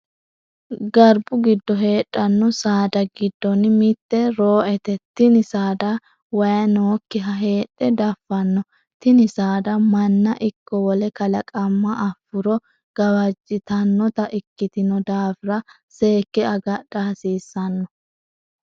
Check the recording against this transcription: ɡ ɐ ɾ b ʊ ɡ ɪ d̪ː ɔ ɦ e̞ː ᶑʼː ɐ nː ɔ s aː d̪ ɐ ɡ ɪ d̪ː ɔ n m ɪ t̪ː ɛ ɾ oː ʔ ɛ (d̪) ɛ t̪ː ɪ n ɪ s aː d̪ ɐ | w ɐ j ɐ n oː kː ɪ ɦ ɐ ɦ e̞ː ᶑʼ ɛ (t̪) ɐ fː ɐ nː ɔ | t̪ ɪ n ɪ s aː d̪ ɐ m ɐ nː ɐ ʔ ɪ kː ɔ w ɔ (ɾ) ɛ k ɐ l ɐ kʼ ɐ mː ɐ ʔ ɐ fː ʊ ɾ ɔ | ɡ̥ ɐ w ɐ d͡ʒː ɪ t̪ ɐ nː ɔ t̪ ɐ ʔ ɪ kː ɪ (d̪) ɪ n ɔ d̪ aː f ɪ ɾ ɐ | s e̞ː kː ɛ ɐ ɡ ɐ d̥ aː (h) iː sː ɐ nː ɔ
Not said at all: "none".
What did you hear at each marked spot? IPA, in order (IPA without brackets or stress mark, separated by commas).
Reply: t̪, d̪, l, t̪, s